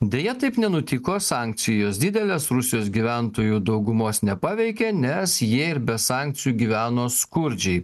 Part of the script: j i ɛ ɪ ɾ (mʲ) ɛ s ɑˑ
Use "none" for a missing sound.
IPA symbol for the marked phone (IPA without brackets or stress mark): bʲ